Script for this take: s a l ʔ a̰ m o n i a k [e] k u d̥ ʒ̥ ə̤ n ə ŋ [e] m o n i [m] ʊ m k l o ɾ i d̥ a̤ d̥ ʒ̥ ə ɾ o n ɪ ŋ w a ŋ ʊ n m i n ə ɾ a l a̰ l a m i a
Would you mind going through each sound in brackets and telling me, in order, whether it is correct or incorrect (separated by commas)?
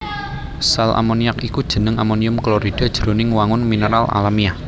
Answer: incorrect, incorrect, incorrect